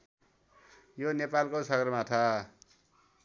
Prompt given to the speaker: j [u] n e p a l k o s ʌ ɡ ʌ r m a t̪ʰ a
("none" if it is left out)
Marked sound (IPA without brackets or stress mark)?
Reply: o